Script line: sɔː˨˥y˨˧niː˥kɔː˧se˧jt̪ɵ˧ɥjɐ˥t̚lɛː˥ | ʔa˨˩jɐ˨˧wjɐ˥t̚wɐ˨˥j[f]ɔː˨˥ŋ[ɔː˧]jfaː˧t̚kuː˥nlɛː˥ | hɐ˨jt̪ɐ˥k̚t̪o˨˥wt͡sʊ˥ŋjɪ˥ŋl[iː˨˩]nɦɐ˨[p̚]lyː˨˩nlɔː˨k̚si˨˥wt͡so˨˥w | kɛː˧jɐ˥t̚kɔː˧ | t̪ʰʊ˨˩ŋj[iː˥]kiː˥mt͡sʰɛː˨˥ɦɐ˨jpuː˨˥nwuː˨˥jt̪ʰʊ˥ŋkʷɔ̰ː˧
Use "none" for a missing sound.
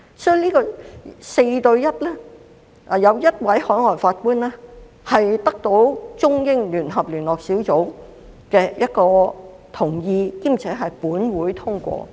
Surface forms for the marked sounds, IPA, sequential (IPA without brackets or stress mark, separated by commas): h, ɔː˨˩, yː˨˩, p̚, iː˧